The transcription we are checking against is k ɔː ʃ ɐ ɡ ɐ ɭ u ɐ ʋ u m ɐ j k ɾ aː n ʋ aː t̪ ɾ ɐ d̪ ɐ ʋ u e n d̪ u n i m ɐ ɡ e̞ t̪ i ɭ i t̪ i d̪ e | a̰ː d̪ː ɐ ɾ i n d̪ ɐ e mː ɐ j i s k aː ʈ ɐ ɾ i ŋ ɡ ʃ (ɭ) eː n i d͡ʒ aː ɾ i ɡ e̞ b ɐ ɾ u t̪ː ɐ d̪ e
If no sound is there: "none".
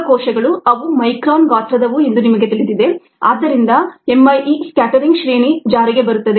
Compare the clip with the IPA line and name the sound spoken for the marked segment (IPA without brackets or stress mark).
ɾ